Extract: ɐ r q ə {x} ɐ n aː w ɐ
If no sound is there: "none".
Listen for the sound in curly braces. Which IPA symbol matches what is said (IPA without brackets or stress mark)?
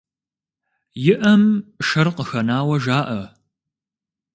x